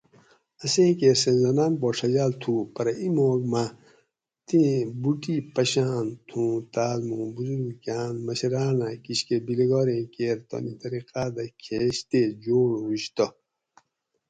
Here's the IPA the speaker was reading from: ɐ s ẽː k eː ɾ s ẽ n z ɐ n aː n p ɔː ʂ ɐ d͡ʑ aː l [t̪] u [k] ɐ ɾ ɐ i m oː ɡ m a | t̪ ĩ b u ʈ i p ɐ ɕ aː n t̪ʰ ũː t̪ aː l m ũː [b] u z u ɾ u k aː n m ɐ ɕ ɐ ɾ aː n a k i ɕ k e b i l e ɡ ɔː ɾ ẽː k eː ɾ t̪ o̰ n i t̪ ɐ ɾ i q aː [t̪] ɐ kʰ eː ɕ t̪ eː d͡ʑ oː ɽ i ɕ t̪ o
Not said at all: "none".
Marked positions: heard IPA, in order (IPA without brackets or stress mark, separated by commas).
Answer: t̪ʰ, p, b, d̪